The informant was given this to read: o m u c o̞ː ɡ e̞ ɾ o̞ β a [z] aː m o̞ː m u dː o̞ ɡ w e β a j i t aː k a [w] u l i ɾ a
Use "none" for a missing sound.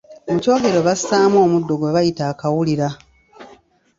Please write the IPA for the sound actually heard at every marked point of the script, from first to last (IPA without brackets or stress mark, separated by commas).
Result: s, w